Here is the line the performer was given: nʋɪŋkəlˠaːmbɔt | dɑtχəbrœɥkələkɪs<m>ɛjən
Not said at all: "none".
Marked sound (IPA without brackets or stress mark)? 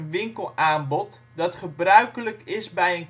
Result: b